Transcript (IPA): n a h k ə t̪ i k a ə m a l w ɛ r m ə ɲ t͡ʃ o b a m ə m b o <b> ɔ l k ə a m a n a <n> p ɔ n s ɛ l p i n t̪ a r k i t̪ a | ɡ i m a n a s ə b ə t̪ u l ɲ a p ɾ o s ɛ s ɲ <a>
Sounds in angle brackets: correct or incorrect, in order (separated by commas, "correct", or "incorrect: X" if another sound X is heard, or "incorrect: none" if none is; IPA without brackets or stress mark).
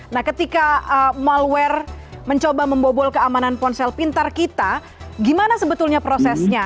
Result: correct, correct, correct